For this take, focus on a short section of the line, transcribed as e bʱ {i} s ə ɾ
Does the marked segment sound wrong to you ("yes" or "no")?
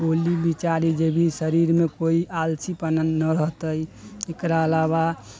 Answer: no